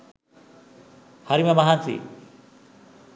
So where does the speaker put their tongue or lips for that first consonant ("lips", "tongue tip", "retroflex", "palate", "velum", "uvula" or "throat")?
throat